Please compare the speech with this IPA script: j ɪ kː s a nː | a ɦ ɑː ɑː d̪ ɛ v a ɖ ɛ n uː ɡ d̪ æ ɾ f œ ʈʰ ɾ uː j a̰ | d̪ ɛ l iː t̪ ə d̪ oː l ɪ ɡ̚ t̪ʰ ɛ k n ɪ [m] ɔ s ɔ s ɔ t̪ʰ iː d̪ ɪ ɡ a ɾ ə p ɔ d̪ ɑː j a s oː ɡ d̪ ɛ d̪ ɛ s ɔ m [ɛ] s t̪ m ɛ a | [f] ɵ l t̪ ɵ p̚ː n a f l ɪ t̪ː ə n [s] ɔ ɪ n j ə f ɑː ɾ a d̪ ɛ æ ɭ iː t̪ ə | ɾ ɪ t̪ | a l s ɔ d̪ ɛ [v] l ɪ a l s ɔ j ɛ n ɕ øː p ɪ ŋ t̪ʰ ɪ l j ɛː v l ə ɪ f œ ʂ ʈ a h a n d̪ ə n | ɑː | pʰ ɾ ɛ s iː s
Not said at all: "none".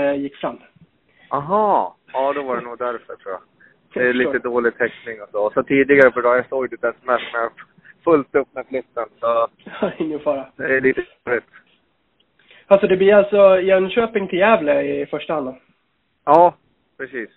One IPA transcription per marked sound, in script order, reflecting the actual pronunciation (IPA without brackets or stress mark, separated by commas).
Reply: ŋ, ɛ, f, s, b